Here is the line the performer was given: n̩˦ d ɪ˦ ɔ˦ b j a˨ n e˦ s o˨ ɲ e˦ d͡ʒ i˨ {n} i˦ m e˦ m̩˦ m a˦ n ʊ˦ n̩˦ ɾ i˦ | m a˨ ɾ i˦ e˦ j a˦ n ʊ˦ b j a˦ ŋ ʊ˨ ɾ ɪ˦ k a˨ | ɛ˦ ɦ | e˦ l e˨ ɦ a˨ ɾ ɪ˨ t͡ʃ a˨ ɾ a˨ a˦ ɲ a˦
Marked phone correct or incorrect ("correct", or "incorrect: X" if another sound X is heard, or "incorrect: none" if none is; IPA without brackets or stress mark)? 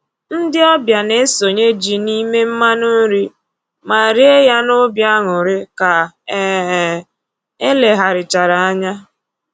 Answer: correct